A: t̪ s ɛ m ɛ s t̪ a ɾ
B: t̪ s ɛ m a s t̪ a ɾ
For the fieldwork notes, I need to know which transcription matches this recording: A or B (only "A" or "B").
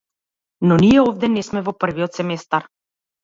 A